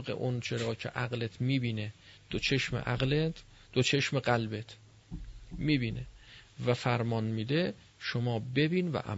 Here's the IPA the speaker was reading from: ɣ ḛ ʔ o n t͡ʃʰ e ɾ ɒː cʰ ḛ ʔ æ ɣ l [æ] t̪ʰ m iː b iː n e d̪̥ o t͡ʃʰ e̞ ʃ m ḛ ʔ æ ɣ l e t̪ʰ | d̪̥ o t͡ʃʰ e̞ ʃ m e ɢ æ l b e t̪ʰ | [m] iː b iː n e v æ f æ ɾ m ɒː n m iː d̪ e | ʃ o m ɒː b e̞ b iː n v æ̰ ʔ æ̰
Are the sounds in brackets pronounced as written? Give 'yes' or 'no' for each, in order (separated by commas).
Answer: no, yes